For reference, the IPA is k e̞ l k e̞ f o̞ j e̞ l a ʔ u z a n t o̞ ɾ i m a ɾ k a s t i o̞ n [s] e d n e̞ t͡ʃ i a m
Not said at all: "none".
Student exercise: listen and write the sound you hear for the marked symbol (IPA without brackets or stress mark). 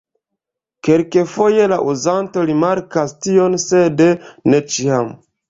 s